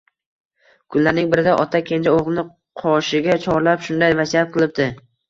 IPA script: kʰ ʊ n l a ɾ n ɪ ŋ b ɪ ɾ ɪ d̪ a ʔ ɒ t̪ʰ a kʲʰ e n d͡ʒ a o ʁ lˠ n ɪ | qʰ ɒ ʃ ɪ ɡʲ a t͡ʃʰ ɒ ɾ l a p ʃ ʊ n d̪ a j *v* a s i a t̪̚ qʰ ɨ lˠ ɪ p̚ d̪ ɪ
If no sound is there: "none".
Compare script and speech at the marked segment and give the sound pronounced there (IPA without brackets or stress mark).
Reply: v